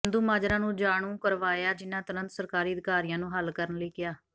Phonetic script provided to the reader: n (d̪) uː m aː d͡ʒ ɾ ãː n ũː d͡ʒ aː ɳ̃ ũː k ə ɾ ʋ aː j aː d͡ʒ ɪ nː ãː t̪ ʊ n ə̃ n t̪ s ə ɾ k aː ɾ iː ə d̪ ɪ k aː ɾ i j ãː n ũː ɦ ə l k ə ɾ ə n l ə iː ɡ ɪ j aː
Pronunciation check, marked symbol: correct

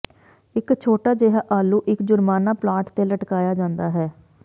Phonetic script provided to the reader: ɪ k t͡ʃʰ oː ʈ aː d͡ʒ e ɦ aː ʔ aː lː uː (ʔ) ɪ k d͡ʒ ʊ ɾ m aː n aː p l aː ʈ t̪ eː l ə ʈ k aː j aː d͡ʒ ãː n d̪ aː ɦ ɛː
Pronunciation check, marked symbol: correct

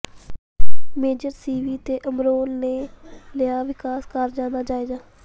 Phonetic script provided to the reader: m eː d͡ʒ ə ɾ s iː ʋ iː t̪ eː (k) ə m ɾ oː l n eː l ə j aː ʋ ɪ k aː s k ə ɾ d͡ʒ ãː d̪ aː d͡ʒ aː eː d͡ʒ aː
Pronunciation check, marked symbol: incorrect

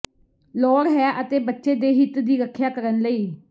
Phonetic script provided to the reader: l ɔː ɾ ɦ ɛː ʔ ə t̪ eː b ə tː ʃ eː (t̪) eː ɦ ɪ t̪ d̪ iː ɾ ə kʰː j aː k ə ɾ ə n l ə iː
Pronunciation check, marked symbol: incorrect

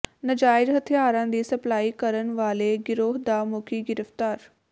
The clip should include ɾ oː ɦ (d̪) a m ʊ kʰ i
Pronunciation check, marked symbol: correct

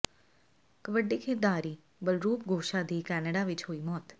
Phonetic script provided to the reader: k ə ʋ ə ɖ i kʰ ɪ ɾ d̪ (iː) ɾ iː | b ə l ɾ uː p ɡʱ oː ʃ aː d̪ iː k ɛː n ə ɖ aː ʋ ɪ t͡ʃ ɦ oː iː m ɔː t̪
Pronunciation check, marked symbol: incorrect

